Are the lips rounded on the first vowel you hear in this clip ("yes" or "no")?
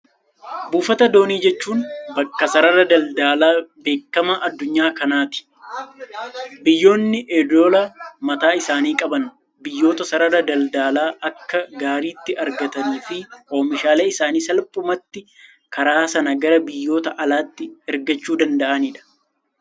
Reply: yes